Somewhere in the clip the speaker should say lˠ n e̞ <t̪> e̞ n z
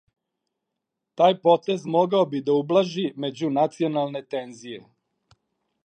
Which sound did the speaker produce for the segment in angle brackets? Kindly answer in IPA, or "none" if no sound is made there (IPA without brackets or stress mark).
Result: t̪